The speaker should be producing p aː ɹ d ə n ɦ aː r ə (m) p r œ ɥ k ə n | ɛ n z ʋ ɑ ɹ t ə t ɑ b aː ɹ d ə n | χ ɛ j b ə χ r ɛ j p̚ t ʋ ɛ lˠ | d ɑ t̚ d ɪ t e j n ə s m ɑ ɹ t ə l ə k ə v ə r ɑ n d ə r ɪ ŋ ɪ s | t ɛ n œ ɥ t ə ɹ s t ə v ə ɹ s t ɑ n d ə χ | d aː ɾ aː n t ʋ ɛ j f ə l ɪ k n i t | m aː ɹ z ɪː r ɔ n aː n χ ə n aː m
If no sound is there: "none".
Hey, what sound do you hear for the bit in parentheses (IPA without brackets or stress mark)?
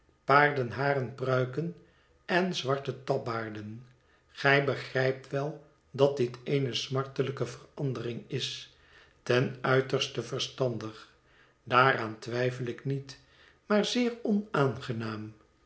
n